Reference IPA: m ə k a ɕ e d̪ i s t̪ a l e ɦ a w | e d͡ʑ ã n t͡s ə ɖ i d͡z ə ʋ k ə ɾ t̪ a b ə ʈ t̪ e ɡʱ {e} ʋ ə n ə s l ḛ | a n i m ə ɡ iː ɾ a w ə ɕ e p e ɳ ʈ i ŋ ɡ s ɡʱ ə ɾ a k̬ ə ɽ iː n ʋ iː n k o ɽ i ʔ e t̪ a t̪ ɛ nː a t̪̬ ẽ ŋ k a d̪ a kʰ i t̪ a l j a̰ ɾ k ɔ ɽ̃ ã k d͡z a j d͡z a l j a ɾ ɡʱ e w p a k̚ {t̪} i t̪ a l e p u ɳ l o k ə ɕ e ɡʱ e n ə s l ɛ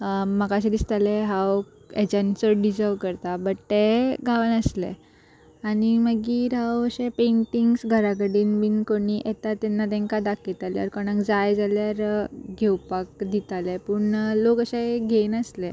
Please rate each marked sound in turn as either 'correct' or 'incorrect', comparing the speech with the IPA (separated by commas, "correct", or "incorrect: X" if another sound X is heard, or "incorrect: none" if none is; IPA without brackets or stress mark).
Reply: incorrect: a, incorrect: d̪